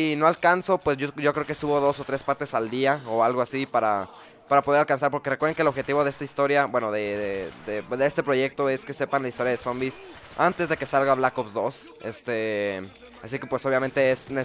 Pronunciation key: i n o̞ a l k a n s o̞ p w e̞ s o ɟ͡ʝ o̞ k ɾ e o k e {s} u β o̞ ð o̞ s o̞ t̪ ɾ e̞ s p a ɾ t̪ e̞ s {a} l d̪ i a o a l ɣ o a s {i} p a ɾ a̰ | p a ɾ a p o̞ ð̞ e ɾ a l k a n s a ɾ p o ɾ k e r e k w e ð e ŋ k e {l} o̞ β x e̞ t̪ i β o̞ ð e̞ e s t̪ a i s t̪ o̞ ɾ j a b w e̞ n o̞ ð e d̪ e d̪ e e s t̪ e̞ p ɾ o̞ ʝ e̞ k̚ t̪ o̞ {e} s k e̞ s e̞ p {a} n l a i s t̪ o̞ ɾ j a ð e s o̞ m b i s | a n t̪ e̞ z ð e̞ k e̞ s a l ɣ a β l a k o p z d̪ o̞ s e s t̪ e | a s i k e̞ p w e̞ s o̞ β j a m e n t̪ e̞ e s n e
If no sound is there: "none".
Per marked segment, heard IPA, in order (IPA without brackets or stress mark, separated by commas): s, a, i, l, e, a